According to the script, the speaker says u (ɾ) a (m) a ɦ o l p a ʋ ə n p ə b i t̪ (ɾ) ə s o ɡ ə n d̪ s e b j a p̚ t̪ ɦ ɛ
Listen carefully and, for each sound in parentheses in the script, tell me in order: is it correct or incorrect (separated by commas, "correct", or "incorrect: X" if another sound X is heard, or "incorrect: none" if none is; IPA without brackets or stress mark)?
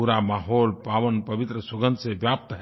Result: correct, correct, correct